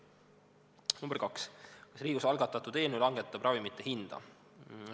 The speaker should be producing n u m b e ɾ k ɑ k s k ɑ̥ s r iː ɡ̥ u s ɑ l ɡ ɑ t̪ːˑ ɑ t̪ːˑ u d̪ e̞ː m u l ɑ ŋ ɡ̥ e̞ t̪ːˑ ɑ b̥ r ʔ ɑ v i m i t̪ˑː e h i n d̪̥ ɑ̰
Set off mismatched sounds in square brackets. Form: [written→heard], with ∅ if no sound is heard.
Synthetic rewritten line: n u m b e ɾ k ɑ k s k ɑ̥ s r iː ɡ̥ u s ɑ l ɡ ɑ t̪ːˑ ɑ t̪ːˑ u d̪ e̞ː [m→n] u l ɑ ŋ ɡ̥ e̞ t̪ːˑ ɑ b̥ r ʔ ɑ v i m i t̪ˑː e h i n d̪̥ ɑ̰